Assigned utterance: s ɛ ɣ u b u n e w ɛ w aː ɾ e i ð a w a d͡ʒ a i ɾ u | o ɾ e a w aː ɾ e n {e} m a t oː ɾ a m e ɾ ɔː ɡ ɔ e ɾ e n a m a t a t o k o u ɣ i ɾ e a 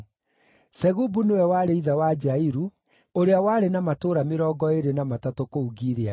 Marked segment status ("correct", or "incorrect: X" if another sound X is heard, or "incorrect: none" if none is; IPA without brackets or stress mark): incorrect: a